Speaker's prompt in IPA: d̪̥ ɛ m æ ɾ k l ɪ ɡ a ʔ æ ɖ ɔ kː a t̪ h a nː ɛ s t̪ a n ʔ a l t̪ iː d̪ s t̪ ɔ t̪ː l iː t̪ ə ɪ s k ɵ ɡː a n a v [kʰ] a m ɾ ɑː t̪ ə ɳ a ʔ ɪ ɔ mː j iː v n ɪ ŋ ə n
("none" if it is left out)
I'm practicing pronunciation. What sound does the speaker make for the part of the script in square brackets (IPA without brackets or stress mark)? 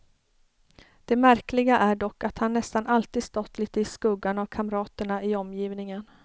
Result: kʰ